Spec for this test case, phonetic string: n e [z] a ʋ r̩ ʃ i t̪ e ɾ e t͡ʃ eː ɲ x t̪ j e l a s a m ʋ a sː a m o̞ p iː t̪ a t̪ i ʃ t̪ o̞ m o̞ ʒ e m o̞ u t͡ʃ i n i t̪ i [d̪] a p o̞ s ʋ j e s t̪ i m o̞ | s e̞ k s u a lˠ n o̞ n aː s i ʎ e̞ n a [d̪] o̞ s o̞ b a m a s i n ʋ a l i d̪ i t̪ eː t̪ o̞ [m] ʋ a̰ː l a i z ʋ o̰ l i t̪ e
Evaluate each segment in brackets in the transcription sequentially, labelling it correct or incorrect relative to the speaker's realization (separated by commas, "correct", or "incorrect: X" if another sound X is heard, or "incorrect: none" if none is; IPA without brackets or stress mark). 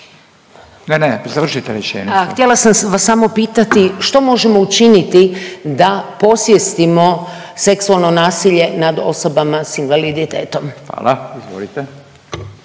correct, correct, correct, correct